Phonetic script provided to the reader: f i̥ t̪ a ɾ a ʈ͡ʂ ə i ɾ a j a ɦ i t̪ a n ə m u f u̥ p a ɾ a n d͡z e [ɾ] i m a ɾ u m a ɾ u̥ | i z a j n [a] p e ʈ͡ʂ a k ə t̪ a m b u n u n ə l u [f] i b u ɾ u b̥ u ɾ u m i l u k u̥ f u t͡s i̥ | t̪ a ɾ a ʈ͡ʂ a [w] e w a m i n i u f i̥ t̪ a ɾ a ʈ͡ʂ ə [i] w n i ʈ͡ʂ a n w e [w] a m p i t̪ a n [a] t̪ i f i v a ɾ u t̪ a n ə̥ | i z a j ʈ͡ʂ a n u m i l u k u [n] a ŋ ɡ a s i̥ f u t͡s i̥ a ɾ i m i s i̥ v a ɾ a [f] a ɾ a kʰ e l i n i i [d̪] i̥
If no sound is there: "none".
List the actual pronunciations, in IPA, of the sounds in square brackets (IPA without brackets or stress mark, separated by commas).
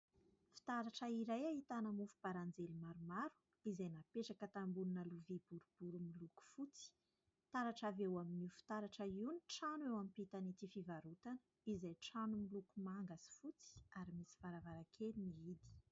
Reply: l, a, v, v, i, w, i, m, v, d̪